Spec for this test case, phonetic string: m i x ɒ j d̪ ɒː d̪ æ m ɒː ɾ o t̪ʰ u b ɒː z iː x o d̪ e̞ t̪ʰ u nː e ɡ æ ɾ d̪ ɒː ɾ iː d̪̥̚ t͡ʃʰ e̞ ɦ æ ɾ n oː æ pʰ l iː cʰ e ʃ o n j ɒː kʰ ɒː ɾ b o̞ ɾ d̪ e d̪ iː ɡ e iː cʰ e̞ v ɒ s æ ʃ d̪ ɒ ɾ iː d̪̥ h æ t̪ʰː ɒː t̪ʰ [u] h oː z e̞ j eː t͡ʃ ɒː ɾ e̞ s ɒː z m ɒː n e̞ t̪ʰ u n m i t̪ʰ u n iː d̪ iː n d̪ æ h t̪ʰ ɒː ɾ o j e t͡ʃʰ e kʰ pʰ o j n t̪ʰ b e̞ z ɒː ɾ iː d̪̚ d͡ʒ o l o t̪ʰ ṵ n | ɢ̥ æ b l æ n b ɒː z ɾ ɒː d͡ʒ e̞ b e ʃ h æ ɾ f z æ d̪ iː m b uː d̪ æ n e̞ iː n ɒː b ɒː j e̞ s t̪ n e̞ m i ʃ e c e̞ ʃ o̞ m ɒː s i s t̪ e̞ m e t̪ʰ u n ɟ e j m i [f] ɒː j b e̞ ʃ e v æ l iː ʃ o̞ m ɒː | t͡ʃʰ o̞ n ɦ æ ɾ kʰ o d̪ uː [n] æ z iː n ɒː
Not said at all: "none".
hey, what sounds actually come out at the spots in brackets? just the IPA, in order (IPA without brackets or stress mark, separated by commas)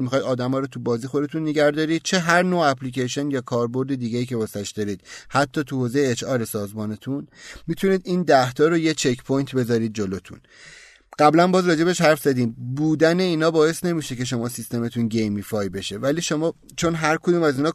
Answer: u, f, m